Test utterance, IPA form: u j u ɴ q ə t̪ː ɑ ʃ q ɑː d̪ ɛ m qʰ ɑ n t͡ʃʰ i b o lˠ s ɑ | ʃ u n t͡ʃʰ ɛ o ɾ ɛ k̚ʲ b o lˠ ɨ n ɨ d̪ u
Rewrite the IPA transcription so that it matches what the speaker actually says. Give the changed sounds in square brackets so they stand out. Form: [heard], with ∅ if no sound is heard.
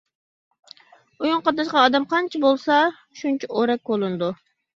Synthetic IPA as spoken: u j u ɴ q [ɑ] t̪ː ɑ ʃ q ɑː d̪ ɛ m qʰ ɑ n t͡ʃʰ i b o lˠ s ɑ | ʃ u n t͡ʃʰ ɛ o ɾ ɛ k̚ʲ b o lˠ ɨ n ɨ d̪ u